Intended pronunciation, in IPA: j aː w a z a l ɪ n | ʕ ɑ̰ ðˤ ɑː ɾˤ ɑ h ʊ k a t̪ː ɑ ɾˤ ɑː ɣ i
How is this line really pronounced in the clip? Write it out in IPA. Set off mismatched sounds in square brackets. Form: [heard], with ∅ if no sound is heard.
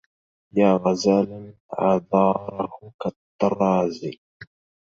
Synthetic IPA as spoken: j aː [ɣ] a z a l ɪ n | ʕ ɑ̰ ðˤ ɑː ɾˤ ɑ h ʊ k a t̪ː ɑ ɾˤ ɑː [z] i